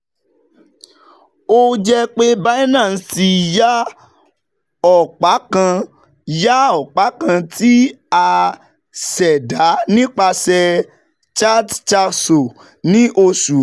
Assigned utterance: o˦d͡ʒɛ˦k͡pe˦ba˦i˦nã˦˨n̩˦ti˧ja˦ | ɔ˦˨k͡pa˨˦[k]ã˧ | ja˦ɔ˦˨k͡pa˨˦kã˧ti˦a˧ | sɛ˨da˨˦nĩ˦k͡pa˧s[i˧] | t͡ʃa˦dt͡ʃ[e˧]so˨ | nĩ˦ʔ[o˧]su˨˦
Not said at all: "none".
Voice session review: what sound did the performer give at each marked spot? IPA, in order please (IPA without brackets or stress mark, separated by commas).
k, ɛ˧, a˧, o˧